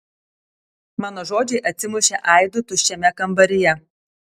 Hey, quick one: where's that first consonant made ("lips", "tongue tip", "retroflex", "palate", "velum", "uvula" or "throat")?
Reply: lips